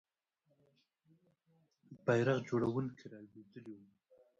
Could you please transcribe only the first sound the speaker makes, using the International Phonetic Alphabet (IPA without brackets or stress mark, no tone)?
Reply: b